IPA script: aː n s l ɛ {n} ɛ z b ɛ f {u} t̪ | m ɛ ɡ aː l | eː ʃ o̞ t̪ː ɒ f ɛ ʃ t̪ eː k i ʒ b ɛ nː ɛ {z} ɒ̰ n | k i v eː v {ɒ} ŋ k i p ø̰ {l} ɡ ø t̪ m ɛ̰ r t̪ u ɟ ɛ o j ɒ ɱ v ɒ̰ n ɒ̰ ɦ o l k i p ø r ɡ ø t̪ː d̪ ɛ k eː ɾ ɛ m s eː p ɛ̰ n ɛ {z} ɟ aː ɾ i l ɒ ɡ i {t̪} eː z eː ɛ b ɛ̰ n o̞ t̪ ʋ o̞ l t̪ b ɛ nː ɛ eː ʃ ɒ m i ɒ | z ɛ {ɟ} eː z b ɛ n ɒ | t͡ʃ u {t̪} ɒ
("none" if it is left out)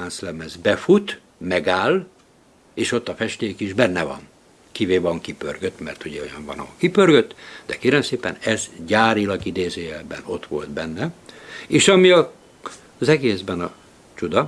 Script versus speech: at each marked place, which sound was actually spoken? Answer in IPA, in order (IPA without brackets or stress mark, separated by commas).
m, u, v, ɒ, r, z, d̪, ɡ, d̪